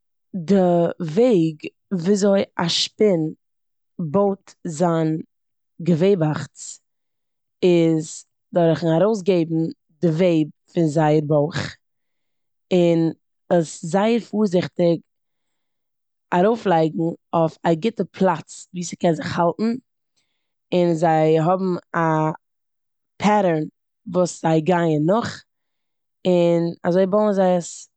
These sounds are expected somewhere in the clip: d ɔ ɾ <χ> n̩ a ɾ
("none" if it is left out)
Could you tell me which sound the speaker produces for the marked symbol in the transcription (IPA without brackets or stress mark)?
χ